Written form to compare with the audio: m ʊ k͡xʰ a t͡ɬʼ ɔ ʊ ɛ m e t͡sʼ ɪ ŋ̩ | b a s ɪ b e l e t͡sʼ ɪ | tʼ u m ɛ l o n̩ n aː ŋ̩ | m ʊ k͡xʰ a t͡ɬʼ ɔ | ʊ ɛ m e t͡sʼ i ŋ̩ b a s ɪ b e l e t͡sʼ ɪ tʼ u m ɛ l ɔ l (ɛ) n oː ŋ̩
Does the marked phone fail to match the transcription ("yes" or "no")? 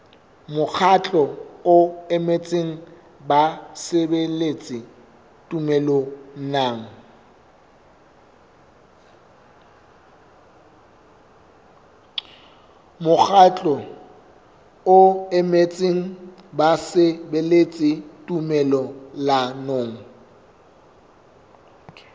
yes